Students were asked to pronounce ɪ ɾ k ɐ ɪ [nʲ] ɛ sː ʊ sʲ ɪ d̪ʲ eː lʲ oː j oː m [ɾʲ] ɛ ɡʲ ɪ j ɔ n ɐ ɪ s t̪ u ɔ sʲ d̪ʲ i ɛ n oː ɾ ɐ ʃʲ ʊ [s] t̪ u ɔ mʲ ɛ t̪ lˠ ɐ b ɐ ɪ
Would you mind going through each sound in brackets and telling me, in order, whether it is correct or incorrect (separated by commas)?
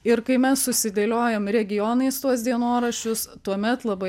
incorrect, correct, correct